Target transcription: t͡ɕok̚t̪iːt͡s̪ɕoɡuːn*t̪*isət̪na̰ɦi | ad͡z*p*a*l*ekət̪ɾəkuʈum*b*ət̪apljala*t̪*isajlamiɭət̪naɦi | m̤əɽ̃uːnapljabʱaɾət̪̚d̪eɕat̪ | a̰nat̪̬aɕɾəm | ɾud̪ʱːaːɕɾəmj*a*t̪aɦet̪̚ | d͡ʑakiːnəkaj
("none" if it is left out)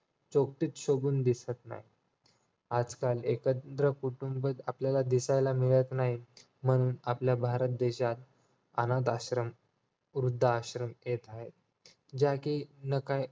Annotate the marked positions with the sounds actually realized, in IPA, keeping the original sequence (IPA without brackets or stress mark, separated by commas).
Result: d̪, k, l, b, d̪, e